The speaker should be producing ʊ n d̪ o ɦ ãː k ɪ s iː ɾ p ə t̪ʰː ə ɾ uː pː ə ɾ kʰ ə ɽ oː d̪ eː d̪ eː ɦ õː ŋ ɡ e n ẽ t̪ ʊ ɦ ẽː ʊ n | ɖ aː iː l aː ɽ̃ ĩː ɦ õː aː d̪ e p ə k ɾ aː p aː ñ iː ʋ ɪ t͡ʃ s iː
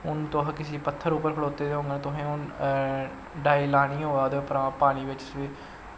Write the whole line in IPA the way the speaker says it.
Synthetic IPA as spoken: ʊ n t̪ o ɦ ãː k ɪ s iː p ə t̪ʰː ə ɾ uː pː ə ɾ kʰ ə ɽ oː t̪ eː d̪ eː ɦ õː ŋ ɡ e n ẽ t̪ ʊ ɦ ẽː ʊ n | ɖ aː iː l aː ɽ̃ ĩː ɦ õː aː d̪ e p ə ɾ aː p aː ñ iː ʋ ɪ t͡ʃ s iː

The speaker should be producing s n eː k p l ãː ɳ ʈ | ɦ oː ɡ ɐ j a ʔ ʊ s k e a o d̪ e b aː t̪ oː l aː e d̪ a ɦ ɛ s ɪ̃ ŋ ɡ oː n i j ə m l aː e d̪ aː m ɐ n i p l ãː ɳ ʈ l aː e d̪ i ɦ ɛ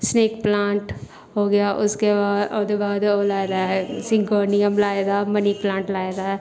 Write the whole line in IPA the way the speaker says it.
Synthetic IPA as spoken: s n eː k p l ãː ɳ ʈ | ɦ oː ɡ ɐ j a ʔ ʊ s k e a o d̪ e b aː d̪ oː l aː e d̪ a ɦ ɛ s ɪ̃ ŋ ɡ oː n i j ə m l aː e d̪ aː m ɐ n i p l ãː ɳ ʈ l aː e d̪ a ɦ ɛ

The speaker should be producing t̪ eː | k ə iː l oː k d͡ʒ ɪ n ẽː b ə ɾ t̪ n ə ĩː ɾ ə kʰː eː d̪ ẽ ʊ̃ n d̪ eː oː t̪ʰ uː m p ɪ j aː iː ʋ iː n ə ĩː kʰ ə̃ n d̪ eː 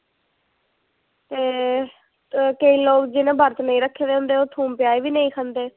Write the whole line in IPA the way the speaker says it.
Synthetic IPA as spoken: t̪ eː | k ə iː l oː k d͡ʒ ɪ n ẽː b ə ɾ t̪ n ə ĩː ɾ ə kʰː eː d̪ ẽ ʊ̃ n d̪ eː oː t̪ʰ uː m p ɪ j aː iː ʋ iː n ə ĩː kʰ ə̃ n d̪ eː

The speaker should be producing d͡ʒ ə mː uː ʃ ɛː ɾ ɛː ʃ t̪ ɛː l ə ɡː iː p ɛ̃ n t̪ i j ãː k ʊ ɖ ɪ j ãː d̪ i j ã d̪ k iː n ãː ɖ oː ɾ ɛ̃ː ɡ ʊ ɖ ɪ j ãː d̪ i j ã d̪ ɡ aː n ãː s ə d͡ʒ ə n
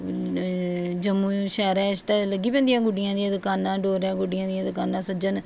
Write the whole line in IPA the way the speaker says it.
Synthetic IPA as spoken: d͡ʒ ə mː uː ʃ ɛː ɾ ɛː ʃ t̪ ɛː l ə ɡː iː p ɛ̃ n d̪ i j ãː ɡ ʊ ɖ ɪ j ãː d̪ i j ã d̪ k aː n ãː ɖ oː ɾ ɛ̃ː ɡ ʊ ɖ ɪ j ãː d̪ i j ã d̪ k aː n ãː s ə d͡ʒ ə n

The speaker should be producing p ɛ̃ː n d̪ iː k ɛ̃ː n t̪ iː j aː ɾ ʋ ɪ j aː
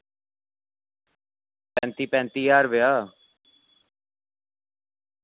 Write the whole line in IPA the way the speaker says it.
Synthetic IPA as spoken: p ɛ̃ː n t̪ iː p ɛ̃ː n t̪ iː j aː ɾ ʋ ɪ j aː

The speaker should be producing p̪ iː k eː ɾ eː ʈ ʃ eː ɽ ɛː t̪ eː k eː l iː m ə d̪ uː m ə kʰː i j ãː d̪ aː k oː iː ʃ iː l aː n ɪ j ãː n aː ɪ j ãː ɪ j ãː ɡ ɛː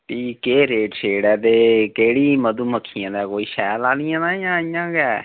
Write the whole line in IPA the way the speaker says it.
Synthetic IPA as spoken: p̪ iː k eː ɾ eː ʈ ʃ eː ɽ ɛː t̪ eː k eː ɽ iː m ə d̪ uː m ə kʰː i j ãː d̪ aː k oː iː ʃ ɛː l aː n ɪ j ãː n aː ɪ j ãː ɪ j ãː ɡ ɛː

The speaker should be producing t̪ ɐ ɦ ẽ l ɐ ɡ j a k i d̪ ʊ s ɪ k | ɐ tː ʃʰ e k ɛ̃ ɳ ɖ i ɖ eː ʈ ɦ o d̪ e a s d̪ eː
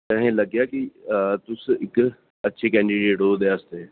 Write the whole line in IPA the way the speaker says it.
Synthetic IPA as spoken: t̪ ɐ ɦ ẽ l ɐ ɡ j a k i t̪ ʊ s ɪ k | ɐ tː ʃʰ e k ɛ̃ ɳ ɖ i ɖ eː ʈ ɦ o d̪ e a s t̪ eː

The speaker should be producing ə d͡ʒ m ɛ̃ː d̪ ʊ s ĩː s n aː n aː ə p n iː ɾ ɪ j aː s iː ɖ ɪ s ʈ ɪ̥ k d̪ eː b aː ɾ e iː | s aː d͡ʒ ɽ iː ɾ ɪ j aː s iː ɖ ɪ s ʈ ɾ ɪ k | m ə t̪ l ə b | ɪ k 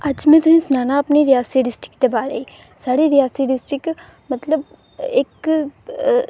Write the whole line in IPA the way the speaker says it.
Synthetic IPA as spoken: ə d͡ʒ m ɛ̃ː t̪ ʊ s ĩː s n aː n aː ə p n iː ɾ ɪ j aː s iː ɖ ɪ s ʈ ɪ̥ k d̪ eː b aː ɾ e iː | s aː ɽ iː ɾ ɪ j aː s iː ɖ ɪ s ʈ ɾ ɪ k | m ə t̪ l ə b | ɪ k

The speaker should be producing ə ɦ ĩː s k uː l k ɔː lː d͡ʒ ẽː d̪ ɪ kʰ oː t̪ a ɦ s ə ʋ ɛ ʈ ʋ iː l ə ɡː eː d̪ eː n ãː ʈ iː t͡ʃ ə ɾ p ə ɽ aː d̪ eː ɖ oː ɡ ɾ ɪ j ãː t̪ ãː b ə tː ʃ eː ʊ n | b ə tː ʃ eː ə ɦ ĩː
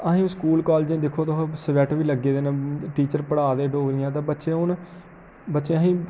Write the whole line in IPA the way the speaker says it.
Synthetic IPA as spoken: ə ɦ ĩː s k uː l k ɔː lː d͡ʒ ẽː d̪ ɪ kʰ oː t̪ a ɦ s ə ʋ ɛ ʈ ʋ iː l ə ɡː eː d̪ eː n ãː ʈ iː t͡ʃ ə ɾ p ə ɽ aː d̪ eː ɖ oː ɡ ɾ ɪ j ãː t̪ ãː b ə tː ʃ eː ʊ n | b ə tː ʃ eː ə ɦ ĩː

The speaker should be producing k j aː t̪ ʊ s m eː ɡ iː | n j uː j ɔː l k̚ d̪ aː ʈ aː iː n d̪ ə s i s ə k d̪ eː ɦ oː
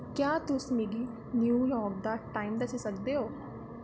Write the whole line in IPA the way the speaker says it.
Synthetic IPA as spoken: k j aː t̪ ʊ s m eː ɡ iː | n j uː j ɔː ɾ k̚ d̪ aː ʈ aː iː m d̪ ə s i s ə k d̪ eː ɦ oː

